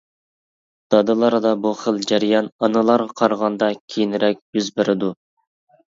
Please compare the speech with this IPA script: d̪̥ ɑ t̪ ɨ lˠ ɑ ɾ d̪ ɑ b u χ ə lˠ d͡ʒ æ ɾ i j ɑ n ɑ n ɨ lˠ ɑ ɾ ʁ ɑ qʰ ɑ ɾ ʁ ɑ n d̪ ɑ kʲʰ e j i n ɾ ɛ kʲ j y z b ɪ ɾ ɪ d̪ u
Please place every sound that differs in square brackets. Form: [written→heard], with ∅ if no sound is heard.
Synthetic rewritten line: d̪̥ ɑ [t̪→d̪] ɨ lˠ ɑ ɾ d̪ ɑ b u χ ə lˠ d͡ʒ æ ɾ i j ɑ n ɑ n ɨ lˠ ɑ ɾ ʁ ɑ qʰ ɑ ɾ ʁ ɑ n d̪ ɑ kʲʰ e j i n ɾ ɛ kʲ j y z b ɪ ɾ ɪ d̪ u